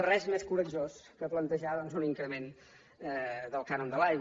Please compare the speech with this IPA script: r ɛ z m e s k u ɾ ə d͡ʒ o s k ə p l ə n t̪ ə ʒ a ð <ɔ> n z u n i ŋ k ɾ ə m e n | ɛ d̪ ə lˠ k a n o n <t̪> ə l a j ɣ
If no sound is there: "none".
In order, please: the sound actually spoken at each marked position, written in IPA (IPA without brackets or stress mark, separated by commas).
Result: ɔ, d̪